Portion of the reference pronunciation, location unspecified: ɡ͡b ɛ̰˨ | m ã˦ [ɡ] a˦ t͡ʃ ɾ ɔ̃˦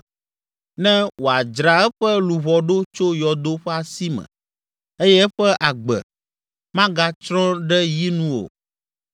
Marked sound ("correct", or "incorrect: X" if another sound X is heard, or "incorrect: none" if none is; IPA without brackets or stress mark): correct